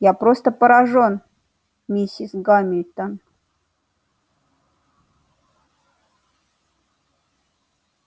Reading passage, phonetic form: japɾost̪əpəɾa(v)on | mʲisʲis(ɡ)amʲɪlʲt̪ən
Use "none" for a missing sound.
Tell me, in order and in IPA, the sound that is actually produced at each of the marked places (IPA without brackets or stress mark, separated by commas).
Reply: ʐ, ɡ